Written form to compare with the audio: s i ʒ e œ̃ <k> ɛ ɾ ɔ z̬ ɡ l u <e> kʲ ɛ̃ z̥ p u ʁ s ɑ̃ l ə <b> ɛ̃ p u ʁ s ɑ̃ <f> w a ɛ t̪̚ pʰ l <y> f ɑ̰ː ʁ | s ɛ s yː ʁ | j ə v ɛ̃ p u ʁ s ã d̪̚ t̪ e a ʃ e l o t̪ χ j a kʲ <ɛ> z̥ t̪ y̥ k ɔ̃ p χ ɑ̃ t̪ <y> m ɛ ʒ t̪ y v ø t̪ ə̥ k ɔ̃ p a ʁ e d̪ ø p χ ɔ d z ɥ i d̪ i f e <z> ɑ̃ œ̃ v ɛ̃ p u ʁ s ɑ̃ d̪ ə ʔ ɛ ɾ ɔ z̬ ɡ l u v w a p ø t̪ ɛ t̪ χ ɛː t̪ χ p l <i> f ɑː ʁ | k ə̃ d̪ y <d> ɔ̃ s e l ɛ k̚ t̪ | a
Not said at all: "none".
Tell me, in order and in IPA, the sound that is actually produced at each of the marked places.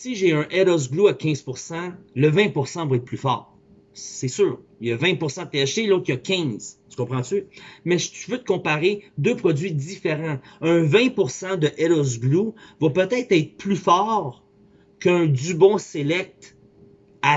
ʔ, a, v, v, y, ɛ̃, y, ʁ, y, b

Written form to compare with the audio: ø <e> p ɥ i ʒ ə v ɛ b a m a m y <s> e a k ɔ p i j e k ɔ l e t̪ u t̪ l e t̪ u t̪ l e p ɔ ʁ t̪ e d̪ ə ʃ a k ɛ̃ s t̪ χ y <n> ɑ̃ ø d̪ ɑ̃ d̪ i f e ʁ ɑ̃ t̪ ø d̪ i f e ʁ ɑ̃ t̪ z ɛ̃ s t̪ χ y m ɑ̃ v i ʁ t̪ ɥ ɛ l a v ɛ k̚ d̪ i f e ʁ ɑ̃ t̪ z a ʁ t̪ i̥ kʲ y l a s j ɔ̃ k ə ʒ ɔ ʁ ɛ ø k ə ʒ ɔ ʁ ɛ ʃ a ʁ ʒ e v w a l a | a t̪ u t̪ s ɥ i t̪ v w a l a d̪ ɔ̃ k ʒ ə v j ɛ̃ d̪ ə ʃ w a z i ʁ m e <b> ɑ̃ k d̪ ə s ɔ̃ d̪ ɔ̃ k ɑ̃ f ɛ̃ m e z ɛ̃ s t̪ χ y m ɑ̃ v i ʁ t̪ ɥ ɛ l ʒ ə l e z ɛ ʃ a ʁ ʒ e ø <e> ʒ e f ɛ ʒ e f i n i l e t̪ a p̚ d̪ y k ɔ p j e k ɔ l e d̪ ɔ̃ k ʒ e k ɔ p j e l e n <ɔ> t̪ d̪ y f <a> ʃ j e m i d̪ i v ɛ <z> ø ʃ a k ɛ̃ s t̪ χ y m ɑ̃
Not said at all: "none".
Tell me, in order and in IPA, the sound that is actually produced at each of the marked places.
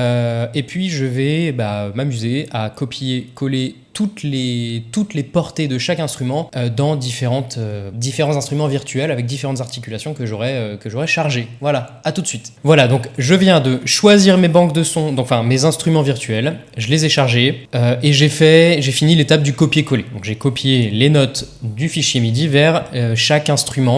e, z, m, b, e, ɔ, i, ʁ

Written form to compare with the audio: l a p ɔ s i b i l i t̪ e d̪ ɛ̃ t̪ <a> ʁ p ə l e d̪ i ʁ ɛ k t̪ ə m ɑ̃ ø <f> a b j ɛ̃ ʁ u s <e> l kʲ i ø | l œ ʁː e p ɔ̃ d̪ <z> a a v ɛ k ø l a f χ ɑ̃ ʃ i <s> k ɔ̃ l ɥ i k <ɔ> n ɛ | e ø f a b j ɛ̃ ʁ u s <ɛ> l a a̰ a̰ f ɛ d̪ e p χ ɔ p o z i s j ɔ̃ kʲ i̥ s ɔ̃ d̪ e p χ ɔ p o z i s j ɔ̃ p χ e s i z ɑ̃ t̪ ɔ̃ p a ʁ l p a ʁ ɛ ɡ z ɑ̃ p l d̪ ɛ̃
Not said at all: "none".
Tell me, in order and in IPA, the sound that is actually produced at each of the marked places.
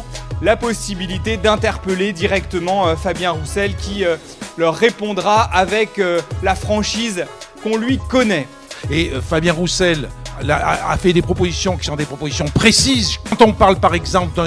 ɛ, f, ɛ, ʁ, z, ɔ, ɛ

